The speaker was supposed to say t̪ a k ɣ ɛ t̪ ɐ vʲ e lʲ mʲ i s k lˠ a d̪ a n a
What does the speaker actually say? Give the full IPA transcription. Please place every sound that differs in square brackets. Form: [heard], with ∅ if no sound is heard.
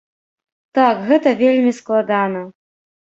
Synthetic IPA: t̪ a k ɣ ɛ t̪ ɐ vʲ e lʲ mʲ i s k lˠ a d̪ a n [ɐ]